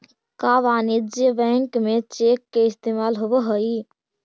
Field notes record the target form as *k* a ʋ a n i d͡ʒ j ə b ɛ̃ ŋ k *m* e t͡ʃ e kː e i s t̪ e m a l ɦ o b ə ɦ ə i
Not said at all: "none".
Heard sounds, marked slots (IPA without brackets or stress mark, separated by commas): k, m